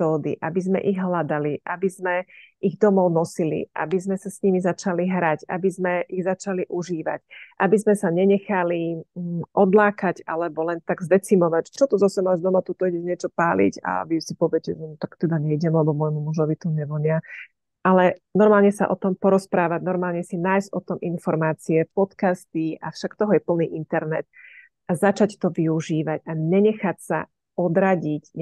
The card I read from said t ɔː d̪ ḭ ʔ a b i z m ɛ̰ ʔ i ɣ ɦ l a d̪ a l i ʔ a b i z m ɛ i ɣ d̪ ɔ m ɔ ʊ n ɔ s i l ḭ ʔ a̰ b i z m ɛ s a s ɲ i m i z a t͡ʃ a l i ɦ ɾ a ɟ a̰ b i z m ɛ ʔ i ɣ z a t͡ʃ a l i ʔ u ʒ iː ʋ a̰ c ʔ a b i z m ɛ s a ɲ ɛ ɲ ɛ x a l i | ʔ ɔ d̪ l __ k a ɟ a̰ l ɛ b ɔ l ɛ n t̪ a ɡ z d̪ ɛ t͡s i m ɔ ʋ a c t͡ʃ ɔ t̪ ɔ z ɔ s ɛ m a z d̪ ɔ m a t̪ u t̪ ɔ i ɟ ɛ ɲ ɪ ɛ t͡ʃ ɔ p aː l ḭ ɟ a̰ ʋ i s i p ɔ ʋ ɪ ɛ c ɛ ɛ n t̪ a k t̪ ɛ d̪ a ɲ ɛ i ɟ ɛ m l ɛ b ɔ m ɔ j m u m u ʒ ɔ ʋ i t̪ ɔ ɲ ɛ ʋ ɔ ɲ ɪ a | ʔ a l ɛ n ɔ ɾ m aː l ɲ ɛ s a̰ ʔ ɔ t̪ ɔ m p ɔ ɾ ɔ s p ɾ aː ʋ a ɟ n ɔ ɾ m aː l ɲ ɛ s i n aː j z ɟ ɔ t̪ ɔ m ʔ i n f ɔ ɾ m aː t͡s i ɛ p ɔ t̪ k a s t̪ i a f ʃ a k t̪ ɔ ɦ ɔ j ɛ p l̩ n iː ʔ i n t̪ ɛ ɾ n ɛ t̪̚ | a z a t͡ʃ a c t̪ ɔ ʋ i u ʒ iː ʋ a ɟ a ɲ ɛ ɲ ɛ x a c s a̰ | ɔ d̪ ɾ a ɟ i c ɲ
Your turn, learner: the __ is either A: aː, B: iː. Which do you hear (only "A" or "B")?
A